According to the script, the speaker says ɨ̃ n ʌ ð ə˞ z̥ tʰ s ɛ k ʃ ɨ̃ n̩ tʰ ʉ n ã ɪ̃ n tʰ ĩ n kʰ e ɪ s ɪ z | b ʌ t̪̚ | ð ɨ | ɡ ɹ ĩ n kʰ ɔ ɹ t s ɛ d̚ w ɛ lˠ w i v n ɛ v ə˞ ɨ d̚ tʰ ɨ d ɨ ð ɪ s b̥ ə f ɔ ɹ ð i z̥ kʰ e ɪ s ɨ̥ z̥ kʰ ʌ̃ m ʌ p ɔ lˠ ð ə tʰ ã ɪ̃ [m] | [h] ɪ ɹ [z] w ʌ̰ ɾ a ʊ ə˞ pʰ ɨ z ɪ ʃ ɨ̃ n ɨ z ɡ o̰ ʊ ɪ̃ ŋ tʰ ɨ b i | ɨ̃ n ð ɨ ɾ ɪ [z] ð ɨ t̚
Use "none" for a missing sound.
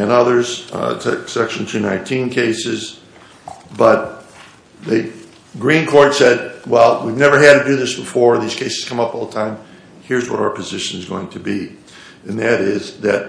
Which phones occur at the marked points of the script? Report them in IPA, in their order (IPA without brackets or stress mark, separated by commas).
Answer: m, h, z, z